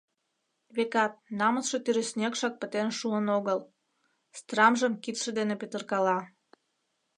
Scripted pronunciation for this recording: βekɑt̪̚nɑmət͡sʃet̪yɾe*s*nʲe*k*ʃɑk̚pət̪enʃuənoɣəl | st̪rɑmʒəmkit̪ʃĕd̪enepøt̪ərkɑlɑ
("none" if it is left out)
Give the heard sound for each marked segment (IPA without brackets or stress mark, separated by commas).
s, k